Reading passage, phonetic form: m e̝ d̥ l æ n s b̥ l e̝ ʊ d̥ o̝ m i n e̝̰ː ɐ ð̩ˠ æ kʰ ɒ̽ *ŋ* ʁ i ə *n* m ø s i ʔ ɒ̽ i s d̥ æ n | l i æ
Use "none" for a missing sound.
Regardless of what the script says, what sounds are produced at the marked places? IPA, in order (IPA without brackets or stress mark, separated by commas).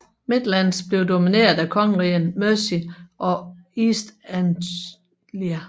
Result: ŋ, n